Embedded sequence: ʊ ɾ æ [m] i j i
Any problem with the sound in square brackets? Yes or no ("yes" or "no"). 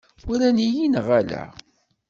yes